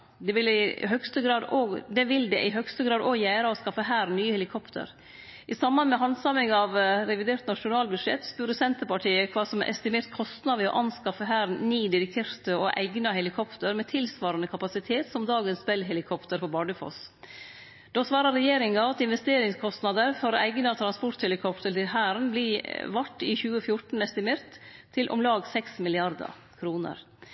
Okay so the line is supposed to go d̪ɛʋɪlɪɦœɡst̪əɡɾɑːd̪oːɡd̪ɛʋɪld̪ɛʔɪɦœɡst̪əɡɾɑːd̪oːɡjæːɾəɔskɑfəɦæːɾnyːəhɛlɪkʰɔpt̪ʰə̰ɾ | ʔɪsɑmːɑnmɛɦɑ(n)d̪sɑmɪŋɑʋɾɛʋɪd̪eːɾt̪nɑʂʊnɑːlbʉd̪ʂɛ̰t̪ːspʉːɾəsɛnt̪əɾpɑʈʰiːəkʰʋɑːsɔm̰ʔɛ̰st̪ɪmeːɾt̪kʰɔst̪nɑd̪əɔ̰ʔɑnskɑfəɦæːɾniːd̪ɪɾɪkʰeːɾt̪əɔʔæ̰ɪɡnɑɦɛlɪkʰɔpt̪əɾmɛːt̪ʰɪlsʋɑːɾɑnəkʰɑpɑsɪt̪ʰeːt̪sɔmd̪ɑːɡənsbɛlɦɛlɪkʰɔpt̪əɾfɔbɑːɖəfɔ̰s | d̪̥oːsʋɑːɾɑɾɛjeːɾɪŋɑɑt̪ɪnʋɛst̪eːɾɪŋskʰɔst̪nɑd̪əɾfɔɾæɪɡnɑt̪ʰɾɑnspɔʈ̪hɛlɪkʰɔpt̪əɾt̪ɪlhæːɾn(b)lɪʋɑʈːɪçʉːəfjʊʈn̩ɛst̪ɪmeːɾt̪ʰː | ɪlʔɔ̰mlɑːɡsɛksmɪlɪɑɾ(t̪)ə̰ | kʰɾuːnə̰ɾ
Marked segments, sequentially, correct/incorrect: correct, correct, incorrect

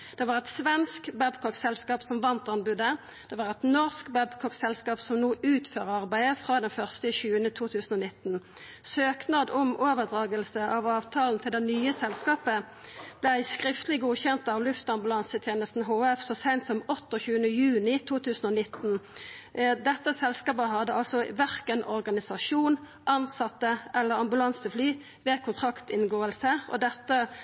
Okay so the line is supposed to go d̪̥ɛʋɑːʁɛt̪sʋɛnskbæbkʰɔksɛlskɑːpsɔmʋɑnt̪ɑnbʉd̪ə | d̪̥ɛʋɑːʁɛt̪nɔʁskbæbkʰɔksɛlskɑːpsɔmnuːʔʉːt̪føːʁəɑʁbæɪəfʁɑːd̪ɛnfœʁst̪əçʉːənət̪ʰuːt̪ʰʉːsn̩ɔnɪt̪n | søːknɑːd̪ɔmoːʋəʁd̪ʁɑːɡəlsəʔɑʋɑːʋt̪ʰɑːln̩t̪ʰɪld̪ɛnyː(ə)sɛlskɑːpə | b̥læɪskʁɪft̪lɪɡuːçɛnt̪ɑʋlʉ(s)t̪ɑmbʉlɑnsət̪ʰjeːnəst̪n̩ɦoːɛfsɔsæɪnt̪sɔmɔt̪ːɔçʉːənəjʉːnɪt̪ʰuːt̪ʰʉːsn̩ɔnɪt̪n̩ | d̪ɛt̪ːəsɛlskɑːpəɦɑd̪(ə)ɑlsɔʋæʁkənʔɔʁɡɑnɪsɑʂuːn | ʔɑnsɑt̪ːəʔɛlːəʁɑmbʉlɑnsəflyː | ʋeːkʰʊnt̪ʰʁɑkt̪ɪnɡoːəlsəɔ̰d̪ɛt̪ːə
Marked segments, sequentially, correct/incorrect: correct, incorrect, correct

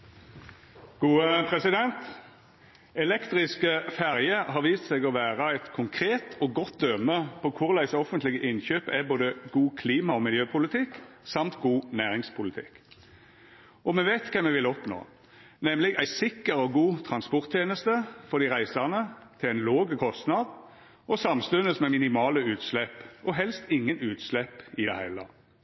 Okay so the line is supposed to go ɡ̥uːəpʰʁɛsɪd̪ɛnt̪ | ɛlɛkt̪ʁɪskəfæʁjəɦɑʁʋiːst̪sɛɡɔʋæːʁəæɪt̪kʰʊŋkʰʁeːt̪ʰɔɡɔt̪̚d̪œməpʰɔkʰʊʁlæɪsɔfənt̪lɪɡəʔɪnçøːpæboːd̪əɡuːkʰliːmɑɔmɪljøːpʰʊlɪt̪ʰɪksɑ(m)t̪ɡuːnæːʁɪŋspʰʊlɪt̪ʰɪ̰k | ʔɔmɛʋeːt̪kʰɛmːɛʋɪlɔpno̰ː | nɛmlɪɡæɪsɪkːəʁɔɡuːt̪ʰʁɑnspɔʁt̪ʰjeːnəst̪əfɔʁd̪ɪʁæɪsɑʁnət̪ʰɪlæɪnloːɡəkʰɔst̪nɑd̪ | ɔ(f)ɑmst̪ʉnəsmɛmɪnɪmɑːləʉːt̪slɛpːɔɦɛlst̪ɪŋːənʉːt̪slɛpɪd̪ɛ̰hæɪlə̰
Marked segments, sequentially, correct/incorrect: correct, incorrect

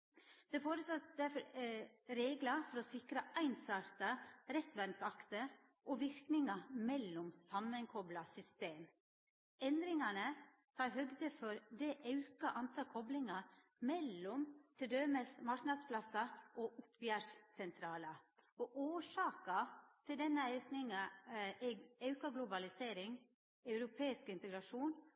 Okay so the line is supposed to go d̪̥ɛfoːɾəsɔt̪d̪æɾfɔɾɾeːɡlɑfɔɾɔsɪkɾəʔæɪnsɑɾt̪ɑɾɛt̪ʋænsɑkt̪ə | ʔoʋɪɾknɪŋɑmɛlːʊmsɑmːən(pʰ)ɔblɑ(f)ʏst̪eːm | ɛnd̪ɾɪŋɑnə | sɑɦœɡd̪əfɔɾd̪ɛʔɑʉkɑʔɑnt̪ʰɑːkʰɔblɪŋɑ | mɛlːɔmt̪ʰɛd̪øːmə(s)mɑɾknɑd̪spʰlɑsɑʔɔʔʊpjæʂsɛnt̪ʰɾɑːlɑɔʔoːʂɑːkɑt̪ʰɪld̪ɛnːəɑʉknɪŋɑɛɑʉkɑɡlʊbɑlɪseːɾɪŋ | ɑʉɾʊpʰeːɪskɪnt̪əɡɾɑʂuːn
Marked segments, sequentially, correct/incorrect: incorrect, incorrect, correct

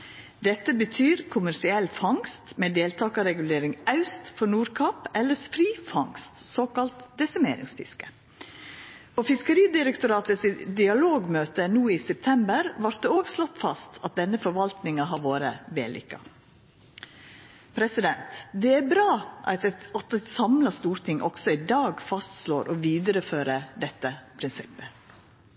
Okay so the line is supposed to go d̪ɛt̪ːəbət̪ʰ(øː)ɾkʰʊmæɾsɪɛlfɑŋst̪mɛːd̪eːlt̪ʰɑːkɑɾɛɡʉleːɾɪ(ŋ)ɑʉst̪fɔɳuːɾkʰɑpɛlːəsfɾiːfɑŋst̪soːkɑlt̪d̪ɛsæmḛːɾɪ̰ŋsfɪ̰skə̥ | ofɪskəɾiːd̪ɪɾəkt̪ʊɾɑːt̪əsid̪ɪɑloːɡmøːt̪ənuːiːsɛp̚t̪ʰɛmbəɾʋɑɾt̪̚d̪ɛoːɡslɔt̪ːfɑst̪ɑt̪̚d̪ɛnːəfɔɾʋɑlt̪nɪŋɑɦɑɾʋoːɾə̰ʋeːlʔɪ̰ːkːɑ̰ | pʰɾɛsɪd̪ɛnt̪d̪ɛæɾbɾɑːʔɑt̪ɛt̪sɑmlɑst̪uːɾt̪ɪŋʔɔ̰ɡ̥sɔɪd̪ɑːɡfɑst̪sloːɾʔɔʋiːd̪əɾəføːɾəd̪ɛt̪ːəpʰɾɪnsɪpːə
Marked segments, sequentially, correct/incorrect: incorrect, correct

